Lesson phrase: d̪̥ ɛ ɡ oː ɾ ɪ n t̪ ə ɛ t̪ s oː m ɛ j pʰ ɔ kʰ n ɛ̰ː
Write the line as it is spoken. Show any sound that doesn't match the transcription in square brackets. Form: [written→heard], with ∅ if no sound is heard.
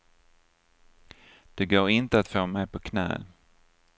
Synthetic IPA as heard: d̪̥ ɛ ɡ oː ɾ ɪ n t̪ ə [ɛ→a] t̪ [s→f] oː m ɛ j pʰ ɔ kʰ n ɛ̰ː